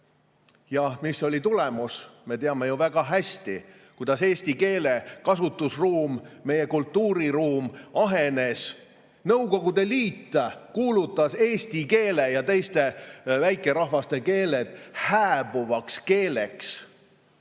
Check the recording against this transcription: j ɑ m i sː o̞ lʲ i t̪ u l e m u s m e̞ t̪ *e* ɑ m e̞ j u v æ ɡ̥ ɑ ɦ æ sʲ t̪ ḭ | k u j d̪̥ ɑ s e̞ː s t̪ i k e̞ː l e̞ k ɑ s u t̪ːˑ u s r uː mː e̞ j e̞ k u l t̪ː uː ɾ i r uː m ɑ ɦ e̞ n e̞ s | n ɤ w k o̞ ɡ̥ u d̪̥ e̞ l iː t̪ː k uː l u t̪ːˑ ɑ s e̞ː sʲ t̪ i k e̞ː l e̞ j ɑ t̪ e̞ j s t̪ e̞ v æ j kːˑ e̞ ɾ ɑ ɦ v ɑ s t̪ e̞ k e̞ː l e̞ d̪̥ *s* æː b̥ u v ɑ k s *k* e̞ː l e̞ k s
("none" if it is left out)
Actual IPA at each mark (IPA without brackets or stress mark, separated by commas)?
e, h, k